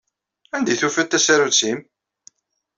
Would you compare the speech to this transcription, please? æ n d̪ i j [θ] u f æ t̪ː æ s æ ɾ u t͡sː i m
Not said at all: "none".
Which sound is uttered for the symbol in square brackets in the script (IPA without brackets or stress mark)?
θ